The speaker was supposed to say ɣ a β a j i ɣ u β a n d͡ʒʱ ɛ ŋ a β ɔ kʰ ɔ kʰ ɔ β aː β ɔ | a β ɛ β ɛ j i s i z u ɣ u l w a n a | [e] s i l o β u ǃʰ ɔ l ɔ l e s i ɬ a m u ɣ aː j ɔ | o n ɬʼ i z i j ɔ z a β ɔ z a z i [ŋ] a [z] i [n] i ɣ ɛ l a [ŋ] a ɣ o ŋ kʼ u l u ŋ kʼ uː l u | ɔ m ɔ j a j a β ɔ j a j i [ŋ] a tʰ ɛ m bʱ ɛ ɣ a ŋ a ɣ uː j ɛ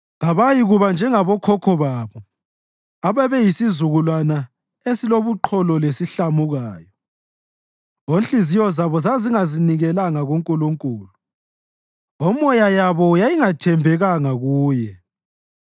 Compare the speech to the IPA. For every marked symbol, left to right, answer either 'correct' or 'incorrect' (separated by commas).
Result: correct, correct, correct, correct, correct, correct